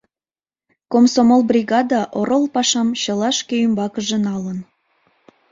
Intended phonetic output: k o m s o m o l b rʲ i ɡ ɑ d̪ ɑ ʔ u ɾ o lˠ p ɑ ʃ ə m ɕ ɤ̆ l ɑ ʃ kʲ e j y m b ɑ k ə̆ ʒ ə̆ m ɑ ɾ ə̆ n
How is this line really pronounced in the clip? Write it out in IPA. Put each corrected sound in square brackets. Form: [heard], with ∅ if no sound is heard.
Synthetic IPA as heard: k o m s o m o l b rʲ i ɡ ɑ d̪ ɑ ʔ [o] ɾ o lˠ p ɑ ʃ [ɑ] m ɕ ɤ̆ l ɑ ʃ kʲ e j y m b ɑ k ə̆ ʒ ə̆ [n] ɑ [l] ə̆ n